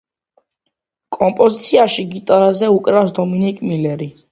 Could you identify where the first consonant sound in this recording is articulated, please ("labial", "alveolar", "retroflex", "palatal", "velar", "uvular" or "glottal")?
velar